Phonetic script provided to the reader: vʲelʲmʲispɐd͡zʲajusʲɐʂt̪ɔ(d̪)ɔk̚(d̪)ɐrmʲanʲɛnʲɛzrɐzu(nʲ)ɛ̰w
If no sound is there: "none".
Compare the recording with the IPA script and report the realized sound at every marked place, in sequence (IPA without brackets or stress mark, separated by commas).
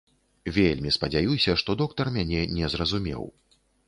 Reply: d̪, t̪, mʲ